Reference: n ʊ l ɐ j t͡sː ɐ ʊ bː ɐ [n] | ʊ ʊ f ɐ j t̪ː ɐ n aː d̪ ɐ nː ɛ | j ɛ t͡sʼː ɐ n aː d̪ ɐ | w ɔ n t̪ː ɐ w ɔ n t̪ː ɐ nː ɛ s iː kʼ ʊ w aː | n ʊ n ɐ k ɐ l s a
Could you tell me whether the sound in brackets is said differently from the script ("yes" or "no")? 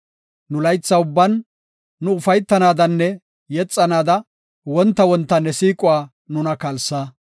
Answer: yes